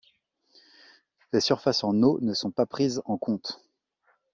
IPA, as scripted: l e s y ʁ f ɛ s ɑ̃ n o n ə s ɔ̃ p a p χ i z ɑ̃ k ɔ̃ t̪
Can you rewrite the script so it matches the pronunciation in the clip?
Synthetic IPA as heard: l e s y ʁ f a s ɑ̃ n o n ə s ɔ̃ p a p χ i z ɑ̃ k ɔ̃ t̪